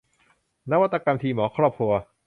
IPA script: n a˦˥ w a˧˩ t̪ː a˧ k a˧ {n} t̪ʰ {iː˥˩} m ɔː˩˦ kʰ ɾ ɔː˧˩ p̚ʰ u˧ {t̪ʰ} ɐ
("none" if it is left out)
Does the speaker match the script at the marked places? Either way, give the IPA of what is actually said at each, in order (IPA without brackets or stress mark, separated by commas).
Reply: m, iː˧, none